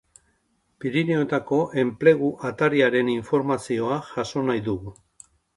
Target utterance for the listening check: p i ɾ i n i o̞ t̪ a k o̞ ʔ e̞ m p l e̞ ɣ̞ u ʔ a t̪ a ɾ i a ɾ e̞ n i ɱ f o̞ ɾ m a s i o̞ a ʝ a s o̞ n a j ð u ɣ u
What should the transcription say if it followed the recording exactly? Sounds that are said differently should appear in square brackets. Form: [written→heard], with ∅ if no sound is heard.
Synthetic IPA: p i ɾ i n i o̞ t̪ a k o̞ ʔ e̞ m p l e̞ ɣ̞ u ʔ a t̪ a ɾ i a ɾ e̞ n i ɱ f o̞ ɾ m a s i o̞ a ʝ a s o̞ n a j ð u ɣ u